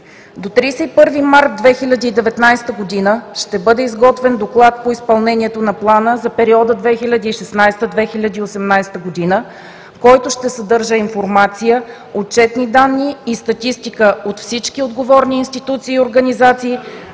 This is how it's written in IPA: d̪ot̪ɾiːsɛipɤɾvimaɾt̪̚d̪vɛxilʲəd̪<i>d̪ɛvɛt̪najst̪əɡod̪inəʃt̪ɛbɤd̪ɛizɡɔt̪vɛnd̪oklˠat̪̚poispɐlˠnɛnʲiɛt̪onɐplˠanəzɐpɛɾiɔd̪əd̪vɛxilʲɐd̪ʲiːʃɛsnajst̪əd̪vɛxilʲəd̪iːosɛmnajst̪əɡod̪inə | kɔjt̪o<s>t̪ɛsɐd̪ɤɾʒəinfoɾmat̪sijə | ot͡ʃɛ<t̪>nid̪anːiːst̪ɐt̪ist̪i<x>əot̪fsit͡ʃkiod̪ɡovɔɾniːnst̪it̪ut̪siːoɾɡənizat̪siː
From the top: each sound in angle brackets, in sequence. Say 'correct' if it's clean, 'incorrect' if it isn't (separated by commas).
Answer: incorrect, incorrect, correct, incorrect